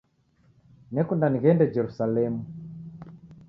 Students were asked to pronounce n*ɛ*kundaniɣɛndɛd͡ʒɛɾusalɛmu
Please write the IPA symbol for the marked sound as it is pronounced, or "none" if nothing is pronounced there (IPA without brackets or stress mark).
ɛ